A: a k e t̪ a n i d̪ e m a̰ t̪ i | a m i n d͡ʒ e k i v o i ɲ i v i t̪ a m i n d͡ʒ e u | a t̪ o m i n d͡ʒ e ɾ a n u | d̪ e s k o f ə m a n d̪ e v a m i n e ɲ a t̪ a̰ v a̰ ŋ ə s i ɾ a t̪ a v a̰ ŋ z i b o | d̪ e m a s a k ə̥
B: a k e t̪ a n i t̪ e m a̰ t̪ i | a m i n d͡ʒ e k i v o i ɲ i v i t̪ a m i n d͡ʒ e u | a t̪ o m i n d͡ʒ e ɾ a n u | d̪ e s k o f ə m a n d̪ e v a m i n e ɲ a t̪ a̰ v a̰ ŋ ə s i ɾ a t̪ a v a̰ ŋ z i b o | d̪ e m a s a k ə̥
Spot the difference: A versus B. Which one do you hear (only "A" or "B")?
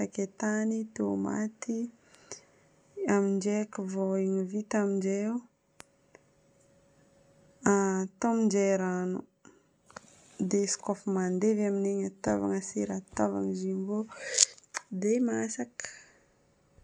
B